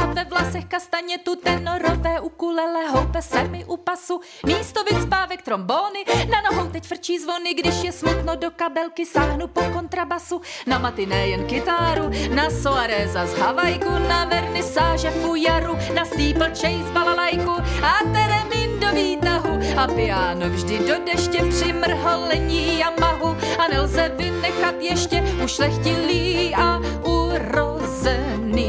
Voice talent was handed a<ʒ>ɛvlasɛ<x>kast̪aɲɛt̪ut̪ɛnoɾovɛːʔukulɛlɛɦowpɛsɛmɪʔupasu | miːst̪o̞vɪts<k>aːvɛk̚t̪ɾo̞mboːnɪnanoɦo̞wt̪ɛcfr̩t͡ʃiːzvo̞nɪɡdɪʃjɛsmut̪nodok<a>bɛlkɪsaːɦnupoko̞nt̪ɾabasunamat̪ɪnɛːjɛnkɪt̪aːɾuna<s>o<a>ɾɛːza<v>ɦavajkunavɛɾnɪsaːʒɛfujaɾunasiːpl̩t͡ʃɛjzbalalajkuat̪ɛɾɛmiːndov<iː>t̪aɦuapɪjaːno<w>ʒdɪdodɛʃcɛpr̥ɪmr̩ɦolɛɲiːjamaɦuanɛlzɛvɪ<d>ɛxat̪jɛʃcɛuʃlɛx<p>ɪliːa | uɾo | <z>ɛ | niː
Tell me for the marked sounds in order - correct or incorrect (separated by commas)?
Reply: incorrect, correct, incorrect, correct, correct, correct, incorrect, correct, incorrect, incorrect, incorrect, correct